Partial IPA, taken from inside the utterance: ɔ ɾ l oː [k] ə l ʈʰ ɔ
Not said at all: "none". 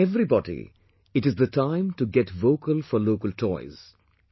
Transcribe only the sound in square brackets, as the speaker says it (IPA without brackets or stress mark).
k